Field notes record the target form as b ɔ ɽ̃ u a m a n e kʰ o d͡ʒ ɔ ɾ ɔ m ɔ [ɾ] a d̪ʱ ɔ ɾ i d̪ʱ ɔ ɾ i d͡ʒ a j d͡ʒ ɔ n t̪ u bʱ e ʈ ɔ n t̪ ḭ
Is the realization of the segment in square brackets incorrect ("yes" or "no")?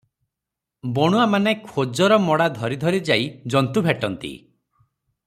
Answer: yes